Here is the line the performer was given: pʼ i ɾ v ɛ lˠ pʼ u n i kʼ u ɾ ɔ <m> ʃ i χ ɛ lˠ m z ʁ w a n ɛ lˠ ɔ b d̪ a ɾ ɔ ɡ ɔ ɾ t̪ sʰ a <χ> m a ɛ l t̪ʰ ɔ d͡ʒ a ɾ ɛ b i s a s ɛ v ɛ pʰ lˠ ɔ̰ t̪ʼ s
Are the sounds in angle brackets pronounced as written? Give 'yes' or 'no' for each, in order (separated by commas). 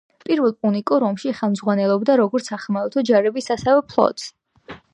yes, yes